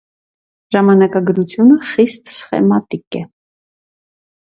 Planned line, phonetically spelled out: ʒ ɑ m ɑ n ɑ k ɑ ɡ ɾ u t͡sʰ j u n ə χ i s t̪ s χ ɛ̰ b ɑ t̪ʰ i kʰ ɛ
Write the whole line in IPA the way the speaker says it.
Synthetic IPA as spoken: ʒ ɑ m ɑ n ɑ k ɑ ɡ ɾ u t͡sʰ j u n ə χ i s t̪ s χ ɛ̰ m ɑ t̪ i k ɛ